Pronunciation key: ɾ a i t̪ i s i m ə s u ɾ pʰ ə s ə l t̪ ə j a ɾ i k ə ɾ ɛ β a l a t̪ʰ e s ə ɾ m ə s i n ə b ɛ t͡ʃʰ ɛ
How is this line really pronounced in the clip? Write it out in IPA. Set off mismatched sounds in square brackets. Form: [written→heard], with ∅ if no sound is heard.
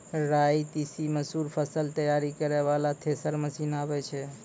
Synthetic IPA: ɾ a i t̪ i s i m ə s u ɾ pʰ ə s ə l t̪ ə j a ɾ i k ə ɾ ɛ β a l a t̪ʰ e s ə ɾ m ə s i n [ə→a] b ɛ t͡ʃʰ ɛ